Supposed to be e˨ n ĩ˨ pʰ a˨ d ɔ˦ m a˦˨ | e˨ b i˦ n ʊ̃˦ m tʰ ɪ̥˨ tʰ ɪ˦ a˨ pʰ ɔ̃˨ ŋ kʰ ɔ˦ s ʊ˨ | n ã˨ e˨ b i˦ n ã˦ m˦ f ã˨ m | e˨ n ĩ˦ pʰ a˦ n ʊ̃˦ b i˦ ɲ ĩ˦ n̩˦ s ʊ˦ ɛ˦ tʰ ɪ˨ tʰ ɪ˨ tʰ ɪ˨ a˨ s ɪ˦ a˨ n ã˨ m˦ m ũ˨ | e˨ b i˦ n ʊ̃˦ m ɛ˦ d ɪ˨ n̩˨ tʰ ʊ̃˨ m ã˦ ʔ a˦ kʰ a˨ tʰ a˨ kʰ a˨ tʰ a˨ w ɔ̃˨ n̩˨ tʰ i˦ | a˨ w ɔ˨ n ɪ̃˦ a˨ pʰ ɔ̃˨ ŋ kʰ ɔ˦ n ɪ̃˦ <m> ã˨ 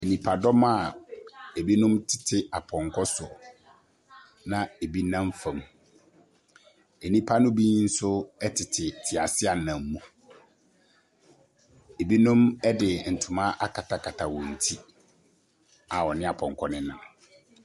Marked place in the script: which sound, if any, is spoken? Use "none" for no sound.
n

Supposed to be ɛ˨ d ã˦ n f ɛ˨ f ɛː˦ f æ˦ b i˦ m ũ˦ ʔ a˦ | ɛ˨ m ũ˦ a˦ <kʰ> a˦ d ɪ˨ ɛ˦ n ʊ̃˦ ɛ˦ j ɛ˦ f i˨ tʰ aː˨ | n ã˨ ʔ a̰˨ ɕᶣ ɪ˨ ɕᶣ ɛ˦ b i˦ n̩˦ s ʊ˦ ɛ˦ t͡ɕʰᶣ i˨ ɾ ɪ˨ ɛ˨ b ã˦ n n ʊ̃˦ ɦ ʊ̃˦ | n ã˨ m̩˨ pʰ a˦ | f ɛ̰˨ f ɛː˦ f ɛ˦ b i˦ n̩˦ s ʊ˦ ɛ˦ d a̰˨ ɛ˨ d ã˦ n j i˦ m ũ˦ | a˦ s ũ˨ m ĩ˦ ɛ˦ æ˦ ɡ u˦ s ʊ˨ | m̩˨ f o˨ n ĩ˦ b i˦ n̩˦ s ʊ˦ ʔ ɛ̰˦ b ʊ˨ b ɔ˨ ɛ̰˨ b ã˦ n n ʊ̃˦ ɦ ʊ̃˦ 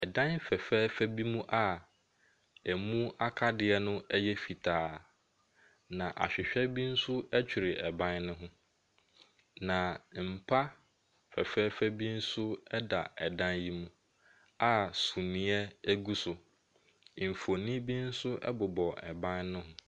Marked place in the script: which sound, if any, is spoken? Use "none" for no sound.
kʰ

